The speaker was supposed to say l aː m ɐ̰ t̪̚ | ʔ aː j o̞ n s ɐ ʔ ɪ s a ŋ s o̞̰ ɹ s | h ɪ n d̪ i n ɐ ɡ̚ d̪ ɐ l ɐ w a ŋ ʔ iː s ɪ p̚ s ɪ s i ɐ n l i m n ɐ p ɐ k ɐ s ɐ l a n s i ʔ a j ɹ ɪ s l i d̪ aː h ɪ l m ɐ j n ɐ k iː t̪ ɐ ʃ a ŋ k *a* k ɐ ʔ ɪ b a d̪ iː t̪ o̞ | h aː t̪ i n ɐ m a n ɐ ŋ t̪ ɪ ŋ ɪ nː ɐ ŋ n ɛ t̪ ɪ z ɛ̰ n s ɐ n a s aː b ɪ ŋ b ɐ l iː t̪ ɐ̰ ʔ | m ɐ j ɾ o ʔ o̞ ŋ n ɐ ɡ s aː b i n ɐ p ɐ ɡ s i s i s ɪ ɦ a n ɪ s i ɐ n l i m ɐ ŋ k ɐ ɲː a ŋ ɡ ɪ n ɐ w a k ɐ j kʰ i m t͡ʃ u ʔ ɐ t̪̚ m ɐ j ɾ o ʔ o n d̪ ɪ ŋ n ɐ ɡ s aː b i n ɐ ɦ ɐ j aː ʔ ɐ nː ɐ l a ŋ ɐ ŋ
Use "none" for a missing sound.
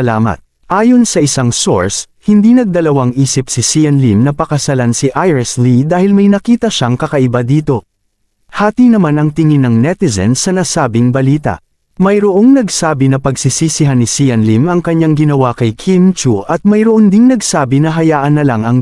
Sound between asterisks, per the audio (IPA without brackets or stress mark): ɐ